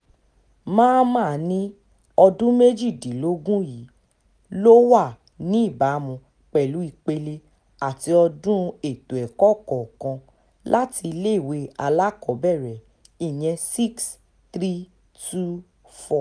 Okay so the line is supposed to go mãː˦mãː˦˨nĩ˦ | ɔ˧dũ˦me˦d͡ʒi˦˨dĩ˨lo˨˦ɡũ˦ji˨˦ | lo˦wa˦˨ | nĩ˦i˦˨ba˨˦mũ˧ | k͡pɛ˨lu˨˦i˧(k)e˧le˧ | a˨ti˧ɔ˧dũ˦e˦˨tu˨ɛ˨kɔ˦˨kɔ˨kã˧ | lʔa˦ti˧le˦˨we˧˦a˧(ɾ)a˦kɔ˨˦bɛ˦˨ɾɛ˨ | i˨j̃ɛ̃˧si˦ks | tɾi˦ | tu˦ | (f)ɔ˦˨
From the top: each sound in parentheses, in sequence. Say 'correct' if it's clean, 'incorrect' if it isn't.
incorrect: k͡p, incorrect: l, correct

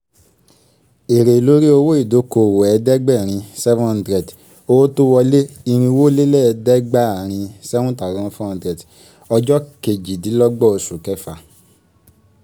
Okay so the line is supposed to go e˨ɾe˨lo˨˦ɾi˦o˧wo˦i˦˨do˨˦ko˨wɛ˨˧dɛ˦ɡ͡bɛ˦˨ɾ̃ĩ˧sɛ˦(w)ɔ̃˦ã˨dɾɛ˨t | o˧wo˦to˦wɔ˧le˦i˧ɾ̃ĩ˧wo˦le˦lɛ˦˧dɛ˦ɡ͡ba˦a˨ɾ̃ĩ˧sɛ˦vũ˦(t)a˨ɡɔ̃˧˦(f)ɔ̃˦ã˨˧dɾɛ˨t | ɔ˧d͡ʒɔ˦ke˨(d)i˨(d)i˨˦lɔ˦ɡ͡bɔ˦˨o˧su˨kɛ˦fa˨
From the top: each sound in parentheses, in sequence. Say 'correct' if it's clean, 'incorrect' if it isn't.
incorrect: v, correct, correct, incorrect: d͡ʒ, correct

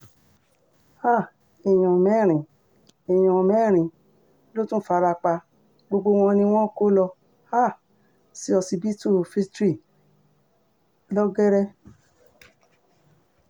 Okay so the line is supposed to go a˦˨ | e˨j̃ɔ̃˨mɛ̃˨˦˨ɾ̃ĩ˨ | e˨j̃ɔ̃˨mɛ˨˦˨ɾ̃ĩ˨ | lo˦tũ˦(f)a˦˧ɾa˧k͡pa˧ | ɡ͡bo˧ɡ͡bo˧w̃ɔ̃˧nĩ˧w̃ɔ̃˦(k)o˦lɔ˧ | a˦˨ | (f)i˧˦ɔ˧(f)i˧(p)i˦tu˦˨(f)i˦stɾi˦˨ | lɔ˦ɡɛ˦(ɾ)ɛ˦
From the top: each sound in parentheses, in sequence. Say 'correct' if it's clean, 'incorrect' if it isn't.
correct, correct, incorrect: s, incorrect: s, incorrect: b, correct, correct

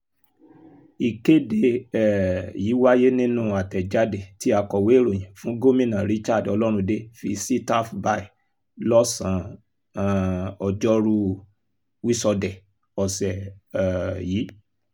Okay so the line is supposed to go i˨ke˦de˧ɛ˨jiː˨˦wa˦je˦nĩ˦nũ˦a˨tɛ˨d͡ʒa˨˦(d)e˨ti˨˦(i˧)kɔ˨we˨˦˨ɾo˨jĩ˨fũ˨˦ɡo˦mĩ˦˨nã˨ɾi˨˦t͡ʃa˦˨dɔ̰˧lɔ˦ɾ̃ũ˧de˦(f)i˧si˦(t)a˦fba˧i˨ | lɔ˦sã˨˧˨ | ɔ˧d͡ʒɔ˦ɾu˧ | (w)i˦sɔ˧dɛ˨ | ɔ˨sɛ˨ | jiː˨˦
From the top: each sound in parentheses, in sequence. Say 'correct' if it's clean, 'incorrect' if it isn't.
correct, incorrect: a˧, correct, correct, correct

